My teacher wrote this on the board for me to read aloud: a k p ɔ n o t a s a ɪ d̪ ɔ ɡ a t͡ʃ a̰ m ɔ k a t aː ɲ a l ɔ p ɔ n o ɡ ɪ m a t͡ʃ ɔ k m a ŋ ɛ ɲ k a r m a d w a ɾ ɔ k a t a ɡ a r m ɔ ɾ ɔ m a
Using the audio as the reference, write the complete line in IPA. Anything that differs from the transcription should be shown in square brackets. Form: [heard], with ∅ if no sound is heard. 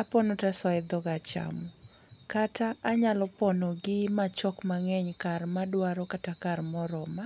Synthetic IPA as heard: a [∅] p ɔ n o t a s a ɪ d̪ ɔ ɡ a t͡ʃ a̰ m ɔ k a t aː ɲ a l ɔ p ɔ n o ɡ ɪ m a t͡ʃ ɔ k m a ŋ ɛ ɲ k a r m a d w a ɾ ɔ k a t a [k] a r m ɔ ɾ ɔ m a